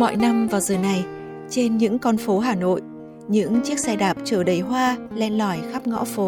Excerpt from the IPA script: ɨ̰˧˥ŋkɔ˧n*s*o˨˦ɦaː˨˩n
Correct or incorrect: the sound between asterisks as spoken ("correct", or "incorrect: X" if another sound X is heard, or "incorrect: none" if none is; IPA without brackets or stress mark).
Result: incorrect: f